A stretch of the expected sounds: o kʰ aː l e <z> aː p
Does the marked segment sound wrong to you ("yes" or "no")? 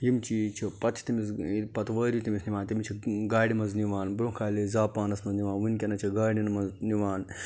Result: no